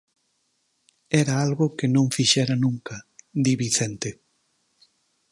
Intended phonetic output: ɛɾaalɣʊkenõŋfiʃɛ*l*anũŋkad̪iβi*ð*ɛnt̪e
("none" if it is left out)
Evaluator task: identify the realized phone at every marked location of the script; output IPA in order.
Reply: ɾ, θ

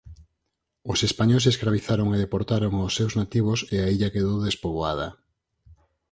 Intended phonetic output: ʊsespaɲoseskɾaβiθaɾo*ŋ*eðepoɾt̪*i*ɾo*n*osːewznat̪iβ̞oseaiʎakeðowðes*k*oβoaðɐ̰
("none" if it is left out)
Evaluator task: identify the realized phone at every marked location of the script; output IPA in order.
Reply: ŋ, a, ŋ, p

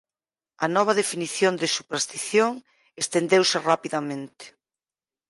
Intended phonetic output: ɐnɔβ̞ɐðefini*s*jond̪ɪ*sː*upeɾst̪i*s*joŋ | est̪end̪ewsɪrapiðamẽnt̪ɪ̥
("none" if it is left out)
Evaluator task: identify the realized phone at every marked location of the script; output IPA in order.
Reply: θ, s, θ

